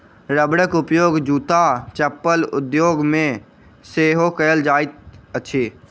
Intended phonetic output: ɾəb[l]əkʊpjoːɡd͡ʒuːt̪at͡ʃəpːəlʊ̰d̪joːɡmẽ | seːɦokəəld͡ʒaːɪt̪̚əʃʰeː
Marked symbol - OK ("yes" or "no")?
no